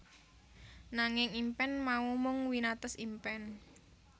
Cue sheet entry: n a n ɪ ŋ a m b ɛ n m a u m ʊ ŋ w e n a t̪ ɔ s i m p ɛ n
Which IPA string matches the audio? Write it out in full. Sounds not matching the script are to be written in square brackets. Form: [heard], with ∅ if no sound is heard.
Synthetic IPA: n a [ŋ] ɪ ŋ [i] m [p] ɛ n m a u m ʊ ŋ w [i] n a t̪ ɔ s i m p ɛ n